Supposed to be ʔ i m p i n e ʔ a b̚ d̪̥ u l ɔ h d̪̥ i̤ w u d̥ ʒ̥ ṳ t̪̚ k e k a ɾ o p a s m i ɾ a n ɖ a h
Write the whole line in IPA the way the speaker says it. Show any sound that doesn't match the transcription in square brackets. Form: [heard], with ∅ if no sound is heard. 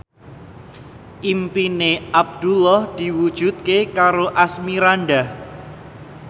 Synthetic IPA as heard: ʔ i m p i n e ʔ a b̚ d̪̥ u l ɔ h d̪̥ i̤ w u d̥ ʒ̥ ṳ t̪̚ k e k a ɾ o [ʔ] a s m i ɾ a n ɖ a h